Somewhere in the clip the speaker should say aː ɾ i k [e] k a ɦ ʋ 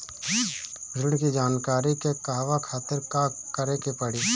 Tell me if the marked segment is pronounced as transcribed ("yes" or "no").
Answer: yes